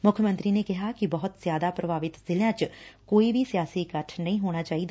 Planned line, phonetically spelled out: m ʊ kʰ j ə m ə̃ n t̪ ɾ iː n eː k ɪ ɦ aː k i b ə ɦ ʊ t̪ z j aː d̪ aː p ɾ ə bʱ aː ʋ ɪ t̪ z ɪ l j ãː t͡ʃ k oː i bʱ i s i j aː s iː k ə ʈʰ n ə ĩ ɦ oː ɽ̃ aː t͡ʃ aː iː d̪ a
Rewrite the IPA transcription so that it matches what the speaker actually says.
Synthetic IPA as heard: m ʊ kʰ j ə m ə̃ n t̪ ɾ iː n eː k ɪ ɦ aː k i b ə ɦ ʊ t̪ z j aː d̪ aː p ɾ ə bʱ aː ʋ ɪ t̪ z ɪ l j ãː t͡ʃ k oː i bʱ i s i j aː s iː k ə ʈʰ n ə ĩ ɦ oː ɽ̃ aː t͡ʃ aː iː d̪ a

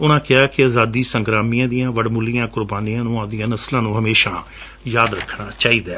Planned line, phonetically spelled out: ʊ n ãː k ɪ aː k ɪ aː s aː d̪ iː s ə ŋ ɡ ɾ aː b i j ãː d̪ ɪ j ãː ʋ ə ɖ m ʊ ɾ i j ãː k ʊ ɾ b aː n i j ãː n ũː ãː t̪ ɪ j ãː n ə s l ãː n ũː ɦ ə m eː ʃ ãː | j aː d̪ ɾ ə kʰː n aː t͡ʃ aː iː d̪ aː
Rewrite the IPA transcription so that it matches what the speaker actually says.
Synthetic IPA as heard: ʊ n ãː k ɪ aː k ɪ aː z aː d̪ iː s ə ŋ ɡ ɾ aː m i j ãː d̪ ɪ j ãː ʋ ə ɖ m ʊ l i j ãː k ʊ ɾ b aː n i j ãː n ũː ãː d̪ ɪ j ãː n ə s l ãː n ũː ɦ ə m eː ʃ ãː | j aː d̪ ɾ ə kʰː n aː t͡ʃ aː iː d̪ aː

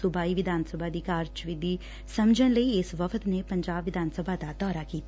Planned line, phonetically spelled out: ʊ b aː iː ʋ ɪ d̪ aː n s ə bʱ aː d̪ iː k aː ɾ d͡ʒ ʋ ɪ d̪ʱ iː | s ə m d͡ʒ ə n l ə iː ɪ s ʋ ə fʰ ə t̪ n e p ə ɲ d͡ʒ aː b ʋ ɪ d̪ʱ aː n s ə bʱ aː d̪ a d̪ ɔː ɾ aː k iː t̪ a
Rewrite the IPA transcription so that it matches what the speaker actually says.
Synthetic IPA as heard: ʊ b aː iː ʋ ɪ d̪ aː n s ə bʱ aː d̪ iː k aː ɾ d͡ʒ ʋ ɪ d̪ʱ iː | s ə m d͡ʒ ə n l ə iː ɪ s ʋ ə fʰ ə t̪ n e p ə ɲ d͡ʒ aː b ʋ ɪ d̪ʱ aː n s ə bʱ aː d̪ a d̪ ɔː ɾ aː k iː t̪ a

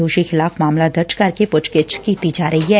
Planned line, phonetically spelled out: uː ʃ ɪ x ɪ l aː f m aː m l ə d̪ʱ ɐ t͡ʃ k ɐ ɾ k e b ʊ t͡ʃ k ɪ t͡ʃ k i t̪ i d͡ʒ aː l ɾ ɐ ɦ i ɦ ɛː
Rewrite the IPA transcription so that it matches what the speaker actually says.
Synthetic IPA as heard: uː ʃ i x ɪ l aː f m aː m l a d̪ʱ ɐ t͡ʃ k ɐ ɾ k e p ʊ t͡ʃ k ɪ t͡ʃ k i t̪ i d͡ʒ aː ɾ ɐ ɦ i ɦ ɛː

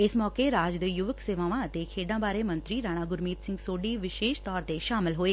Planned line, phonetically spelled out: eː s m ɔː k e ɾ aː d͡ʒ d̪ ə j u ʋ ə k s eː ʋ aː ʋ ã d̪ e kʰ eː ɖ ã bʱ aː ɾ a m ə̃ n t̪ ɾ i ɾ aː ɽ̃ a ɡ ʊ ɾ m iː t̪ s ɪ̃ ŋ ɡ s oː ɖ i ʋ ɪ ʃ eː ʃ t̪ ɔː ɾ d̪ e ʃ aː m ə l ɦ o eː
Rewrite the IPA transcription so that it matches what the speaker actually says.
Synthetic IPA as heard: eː s m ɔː k e ɾ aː d͡ʒ d̪ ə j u ʋ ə k s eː ʋ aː ʋ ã t̪ e kʰ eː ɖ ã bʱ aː ɾ e m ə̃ n t̪ ɾ i ɾ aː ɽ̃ a ɡ ʊ ɾ m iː t̪ s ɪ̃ ŋ ɡ s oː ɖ i ʋ ɪ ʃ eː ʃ t̪ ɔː ɾ t̪ e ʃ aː m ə l ɦ o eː

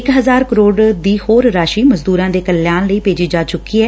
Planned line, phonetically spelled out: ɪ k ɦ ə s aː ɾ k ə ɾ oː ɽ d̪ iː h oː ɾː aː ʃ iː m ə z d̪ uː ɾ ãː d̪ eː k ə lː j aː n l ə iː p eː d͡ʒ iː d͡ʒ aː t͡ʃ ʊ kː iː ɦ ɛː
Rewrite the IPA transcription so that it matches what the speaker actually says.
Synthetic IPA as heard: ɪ k ɦ ə z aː ɾ k ə ɾ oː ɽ d̪ iː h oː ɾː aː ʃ iː m ə z d̪ uː ɾ ãː d̪ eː k ə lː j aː n l ə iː p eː d͡ʒ iː d͡ʒ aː t͡ʃ ʊ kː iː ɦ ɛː

